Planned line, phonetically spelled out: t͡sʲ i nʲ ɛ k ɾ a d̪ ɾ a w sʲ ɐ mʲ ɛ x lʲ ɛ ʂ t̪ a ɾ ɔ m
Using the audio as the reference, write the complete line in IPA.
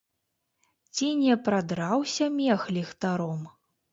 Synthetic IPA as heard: t͡sʲ i nʲ ɛ p ɾ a d̪ ɾ a w sʲ ɐ mʲ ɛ x lʲ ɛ x t̪ a ɾ ɔ m